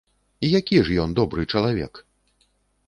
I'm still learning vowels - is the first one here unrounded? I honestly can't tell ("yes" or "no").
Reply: yes